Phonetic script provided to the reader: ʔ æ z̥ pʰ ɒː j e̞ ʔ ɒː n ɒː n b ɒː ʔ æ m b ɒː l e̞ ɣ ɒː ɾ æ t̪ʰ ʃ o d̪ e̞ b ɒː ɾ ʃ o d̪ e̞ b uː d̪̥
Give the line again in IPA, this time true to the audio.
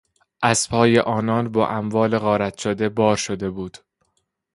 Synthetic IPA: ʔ æ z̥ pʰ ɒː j e̞ ʔ ɒː n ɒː n b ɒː ʔ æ m v ɒː l e̞ ɣ ɒː ɾ æ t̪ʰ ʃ o d̪ e̞ b ɒː ɾ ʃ o d̪ e̞ b uː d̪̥